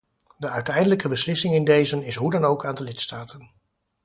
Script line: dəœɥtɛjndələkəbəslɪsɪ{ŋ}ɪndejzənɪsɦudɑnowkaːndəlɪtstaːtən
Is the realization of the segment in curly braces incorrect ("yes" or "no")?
no